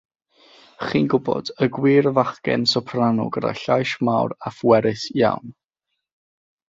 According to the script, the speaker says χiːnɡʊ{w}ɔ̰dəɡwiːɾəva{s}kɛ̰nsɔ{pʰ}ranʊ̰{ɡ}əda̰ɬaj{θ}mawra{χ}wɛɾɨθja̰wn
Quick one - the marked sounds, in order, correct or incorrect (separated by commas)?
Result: incorrect, incorrect, correct, correct, incorrect, incorrect